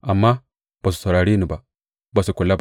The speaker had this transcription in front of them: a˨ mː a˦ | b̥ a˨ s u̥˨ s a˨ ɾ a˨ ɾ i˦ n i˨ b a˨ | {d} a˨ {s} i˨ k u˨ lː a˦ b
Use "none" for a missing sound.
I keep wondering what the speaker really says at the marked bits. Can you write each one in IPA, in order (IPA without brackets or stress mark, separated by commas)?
b, s